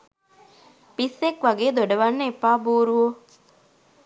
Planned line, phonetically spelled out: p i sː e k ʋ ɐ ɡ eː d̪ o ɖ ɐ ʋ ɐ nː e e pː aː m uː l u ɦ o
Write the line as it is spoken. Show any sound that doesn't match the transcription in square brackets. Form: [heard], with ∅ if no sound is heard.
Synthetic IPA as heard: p i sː e k ʋ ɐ ɡ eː d̪ o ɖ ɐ ʋ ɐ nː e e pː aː [b] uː [ɾ] u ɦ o